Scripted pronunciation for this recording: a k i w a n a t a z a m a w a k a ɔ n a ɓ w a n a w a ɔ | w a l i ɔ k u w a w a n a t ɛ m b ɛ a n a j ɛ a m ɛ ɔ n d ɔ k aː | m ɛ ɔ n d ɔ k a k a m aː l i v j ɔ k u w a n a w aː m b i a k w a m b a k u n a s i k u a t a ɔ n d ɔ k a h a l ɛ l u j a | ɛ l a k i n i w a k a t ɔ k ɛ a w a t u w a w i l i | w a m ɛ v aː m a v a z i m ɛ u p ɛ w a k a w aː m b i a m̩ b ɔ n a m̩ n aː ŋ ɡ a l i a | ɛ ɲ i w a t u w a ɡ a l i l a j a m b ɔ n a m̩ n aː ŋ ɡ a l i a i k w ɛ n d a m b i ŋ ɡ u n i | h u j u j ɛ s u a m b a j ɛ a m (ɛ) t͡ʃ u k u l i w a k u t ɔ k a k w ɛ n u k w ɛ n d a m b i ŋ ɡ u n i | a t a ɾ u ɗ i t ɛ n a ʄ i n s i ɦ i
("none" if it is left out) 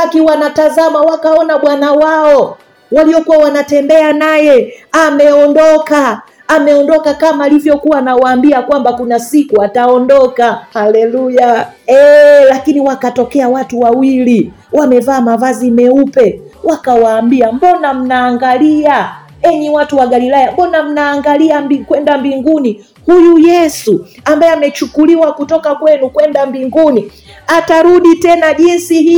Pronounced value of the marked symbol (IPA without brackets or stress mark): ɛ